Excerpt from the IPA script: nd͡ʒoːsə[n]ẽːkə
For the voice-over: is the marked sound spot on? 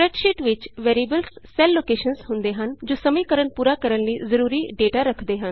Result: no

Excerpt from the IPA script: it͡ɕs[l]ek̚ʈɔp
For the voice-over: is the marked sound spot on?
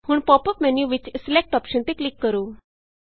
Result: yes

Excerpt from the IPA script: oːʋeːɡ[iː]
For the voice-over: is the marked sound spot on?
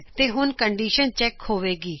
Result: yes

